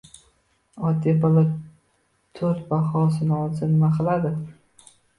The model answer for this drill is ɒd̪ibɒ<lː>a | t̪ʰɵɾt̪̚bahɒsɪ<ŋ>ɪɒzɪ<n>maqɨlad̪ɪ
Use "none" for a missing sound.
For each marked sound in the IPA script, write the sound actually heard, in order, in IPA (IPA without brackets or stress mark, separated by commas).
l, n, n